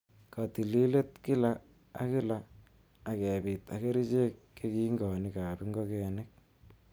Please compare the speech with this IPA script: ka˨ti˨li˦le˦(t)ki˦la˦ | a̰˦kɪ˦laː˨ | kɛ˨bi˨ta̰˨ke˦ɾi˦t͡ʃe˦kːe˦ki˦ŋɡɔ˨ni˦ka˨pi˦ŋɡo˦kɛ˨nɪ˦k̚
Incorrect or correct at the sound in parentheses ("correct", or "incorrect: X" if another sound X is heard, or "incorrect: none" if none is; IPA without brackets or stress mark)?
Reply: correct